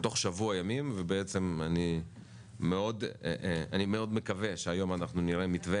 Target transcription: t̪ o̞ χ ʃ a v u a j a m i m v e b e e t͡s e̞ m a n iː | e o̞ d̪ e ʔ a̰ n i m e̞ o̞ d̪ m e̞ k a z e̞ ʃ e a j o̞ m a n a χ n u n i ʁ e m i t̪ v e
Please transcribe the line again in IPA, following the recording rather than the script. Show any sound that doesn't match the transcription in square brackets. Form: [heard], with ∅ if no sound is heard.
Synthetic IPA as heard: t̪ o̞ χ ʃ a v u a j a m i m v e b e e t͡s e̞ m a n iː | e o̞ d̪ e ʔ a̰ n i m e̞ o̞ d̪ m e̞ k a [v] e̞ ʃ e a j o̞ m a n a χ n u n i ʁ e m i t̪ v e